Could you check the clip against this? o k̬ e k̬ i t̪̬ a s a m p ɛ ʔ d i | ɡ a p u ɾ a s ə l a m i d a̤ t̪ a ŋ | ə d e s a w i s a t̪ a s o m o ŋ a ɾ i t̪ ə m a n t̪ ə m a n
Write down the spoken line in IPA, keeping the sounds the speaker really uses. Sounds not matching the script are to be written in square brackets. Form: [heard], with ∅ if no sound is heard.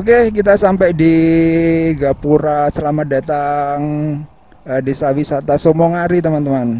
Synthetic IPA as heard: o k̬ e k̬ i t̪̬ a s a m p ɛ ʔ d i | ɡ a p u ɾ a s ə l a m [a] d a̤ t̪ a ŋ | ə d e s a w i s a t̪ a s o m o ŋ a ɾ i t̪ ə m a n t̪ ə m a n